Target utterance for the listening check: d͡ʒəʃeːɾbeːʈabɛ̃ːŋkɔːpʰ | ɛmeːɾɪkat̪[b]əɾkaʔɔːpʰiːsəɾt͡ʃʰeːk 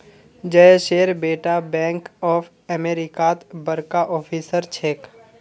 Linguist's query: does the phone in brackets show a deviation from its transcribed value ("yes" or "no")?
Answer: no